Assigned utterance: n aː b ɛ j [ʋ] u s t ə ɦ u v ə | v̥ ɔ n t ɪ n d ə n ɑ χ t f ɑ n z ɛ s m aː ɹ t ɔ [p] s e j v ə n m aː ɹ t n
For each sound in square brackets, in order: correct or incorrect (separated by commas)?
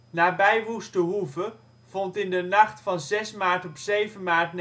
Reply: correct, correct